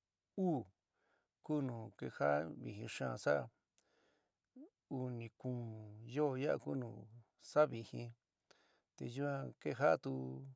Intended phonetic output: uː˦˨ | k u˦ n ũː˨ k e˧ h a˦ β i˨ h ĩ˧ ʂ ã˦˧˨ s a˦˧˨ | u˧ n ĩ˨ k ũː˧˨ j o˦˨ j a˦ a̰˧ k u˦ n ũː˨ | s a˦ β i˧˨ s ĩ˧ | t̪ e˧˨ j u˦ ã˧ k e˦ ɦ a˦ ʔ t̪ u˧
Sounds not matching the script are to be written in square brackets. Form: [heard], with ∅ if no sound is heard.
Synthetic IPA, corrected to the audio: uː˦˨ | k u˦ n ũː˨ k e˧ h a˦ β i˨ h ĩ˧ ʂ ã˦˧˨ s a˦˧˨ | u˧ n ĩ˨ k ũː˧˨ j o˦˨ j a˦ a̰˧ k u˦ n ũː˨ | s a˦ β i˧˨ [h] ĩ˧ | t̪ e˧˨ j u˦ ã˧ k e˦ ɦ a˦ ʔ t̪ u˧